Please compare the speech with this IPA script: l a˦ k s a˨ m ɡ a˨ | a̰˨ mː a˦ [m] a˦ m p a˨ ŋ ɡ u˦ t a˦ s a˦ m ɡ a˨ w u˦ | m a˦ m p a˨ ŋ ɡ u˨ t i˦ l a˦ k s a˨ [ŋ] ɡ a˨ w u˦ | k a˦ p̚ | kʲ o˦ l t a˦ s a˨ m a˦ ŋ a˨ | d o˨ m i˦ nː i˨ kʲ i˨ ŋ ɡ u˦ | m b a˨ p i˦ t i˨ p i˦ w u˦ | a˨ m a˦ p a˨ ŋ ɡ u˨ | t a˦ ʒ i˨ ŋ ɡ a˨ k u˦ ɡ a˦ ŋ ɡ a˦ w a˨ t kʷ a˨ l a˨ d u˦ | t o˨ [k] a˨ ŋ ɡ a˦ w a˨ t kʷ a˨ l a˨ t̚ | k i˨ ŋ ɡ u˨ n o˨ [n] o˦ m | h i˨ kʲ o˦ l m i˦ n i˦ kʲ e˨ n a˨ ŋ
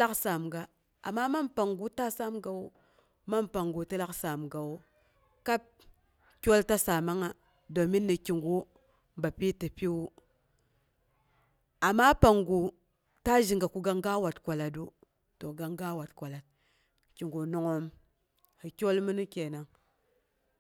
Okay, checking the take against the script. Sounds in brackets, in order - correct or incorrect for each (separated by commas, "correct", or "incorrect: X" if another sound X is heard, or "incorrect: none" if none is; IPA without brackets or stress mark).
correct, incorrect: m, incorrect: ɡ, incorrect: ŋ